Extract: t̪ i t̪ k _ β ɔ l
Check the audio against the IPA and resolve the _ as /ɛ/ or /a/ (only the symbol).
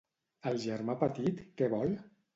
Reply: ɛ